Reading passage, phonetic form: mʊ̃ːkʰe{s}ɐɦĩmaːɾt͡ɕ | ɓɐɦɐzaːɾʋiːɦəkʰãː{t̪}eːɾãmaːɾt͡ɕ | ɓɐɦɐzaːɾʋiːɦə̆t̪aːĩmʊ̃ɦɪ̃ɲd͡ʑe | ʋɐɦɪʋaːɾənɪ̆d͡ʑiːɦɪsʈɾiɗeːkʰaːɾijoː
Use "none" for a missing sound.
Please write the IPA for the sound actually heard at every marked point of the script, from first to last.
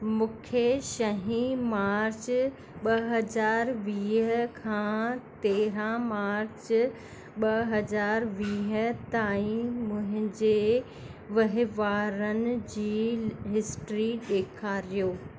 ʃ, t̪

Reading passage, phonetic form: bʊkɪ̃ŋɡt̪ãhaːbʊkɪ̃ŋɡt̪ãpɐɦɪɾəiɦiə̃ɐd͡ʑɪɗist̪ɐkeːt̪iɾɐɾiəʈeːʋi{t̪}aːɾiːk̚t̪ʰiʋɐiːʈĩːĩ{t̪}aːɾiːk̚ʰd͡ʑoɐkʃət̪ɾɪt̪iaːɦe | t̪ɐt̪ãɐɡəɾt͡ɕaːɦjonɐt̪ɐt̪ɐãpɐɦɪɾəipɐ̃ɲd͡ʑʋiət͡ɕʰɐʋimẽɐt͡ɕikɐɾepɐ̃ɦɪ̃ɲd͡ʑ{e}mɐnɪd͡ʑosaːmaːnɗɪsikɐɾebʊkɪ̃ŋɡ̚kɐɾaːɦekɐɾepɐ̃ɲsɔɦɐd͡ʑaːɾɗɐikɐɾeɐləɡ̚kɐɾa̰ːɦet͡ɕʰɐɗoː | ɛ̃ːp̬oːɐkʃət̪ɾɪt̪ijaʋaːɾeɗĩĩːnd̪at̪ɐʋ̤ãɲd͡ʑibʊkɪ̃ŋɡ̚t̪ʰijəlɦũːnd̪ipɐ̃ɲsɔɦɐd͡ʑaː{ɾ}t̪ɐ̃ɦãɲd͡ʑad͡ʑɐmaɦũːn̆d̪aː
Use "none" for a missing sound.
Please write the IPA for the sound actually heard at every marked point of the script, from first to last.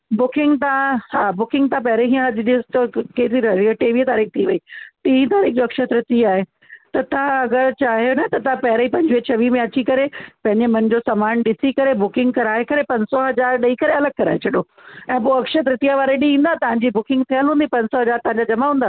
t̪, t̪, e, ɾ

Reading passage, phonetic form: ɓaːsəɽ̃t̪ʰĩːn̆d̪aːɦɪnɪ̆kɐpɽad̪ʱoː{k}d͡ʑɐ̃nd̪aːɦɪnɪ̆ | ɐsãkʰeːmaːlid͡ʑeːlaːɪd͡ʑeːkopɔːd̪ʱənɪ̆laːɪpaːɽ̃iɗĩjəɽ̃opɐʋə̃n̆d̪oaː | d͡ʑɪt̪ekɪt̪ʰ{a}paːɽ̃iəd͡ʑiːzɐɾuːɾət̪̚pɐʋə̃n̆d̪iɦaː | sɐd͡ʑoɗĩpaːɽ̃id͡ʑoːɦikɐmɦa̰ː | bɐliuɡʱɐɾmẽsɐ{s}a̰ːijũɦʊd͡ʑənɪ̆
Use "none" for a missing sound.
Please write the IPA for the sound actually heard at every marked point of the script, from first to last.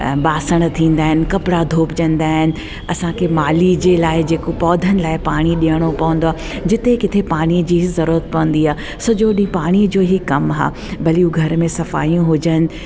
p, e, f

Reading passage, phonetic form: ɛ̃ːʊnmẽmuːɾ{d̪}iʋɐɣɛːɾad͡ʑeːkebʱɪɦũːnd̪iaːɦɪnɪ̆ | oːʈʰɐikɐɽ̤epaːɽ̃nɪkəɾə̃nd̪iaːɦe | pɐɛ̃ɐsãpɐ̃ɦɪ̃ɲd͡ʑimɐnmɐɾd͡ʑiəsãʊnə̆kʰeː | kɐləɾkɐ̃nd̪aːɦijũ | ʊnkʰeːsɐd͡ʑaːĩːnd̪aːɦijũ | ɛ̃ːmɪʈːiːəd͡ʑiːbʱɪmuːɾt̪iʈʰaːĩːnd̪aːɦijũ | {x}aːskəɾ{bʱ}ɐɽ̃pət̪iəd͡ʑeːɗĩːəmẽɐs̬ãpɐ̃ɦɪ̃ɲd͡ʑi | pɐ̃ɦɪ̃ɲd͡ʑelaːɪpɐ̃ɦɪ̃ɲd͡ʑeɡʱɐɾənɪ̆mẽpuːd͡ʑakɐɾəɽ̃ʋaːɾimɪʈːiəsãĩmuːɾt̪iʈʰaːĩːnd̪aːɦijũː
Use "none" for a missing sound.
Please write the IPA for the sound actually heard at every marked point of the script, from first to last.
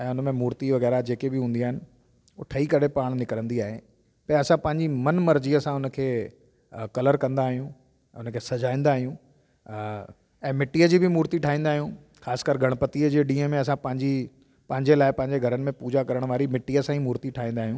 t̪, x, ɡʱ

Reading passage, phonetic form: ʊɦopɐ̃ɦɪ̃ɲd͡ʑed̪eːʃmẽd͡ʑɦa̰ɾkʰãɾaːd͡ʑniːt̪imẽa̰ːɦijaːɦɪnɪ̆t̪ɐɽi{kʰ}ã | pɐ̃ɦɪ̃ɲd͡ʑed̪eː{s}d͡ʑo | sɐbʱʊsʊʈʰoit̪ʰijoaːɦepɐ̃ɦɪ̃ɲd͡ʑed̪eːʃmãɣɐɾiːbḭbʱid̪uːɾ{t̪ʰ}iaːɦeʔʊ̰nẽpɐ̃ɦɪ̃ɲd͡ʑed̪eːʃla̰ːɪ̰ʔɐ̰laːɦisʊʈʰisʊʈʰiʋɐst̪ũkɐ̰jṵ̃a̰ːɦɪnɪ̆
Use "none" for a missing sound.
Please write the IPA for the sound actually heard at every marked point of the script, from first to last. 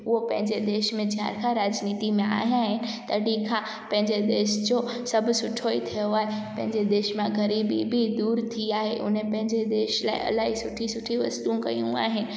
kʰ, ʃ, t̪ʰ

